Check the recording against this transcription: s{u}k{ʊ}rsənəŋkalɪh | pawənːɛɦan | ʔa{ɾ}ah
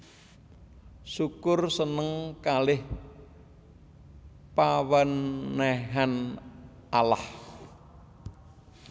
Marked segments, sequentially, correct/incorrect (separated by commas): correct, correct, incorrect